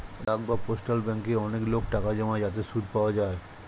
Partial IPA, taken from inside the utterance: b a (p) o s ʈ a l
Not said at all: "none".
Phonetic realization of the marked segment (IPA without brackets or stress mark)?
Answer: p